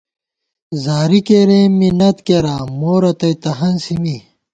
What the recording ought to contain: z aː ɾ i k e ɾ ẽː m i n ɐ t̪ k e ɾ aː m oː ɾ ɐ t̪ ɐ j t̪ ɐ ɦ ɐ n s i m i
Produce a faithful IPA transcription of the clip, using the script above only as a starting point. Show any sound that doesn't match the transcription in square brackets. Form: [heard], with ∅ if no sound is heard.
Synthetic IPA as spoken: z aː ɾ i k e ɾ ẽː m i n ɐ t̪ k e ɾ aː m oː ɾ ɐ t̪ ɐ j t̪ ɐ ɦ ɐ n s i m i